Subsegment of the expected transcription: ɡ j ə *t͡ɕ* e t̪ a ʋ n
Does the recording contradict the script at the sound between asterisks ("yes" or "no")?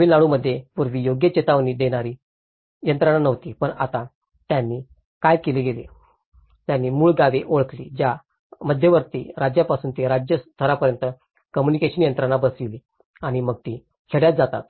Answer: no